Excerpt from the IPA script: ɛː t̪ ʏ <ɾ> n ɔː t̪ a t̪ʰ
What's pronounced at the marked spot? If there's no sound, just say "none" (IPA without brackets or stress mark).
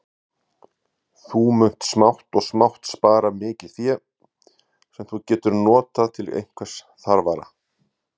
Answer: ɾ